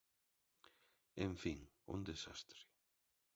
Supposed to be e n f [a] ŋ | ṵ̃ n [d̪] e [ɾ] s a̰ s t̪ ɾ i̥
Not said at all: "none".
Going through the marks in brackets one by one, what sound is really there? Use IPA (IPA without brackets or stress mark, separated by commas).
i, d̪, none